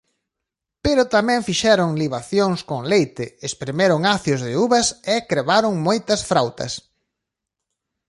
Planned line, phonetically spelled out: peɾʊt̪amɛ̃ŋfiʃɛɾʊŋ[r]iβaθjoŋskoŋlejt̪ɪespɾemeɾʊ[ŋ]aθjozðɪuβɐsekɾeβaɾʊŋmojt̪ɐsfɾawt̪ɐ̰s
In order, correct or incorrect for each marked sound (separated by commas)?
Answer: incorrect, correct